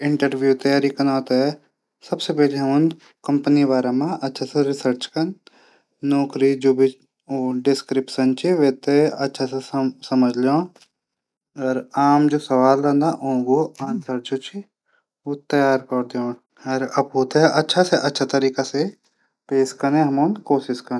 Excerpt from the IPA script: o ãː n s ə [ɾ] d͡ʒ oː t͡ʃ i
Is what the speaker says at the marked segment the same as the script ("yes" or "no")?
yes